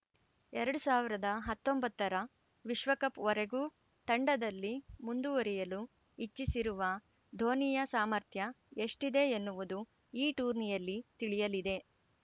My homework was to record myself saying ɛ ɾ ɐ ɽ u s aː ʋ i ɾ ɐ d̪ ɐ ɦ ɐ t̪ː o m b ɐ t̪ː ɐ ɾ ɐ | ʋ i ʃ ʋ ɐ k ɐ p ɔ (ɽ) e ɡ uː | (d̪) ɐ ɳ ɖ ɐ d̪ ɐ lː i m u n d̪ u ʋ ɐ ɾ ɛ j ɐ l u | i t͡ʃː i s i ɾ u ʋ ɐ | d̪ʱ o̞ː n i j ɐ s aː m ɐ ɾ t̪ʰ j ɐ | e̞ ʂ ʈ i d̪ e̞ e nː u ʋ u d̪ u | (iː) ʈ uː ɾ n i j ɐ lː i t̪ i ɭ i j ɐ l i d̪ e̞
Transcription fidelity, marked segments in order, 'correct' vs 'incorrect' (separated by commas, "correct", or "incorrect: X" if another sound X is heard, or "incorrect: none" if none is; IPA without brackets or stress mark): incorrect: ɾ, incorrect: t̪, correct